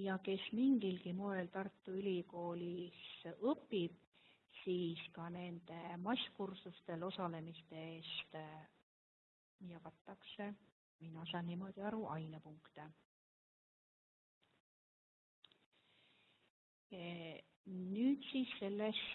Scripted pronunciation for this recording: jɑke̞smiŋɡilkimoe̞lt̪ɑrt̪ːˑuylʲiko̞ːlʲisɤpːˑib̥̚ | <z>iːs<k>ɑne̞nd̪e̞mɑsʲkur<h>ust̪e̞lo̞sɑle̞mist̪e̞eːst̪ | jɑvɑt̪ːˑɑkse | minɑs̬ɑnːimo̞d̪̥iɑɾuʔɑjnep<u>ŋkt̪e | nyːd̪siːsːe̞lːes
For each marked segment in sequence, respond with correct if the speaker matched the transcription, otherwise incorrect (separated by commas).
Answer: incorrect, correct, incorrect, correct